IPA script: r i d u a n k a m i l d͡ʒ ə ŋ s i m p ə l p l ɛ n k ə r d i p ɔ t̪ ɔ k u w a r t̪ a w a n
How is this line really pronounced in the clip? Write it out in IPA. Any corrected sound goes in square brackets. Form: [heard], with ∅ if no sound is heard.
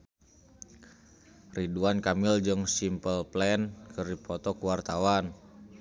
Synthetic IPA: r i d u a n k a m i l d͡ʒ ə ŋ s i m p ə l p l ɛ n k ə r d i p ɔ t̪ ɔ k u w a r t̪ a w a n